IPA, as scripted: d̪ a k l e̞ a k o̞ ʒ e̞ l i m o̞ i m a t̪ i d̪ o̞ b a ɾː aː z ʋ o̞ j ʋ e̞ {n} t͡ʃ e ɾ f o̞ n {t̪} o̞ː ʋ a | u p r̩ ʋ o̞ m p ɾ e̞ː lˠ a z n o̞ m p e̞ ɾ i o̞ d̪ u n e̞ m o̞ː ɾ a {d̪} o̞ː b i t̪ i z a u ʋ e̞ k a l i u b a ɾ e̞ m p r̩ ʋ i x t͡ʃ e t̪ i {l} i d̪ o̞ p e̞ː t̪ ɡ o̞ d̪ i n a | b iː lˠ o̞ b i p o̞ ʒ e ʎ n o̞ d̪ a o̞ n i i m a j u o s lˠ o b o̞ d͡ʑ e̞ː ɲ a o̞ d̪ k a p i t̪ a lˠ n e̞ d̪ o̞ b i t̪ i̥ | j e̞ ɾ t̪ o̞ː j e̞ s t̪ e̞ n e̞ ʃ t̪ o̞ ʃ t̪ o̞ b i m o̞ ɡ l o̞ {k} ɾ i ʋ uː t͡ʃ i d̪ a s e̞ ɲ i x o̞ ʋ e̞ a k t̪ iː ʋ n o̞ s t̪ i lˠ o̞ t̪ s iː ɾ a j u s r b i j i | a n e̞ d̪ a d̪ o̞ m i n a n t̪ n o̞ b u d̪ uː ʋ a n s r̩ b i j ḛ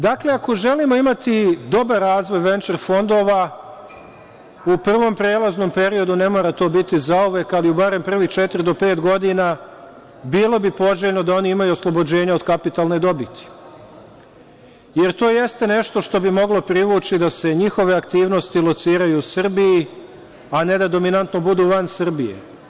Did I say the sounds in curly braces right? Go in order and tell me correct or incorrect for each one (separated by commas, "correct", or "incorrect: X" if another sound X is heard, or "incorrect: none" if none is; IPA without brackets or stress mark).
correct, incorrect: d̪, incorrect: t̪, incorrect: ɾ, incorrect: p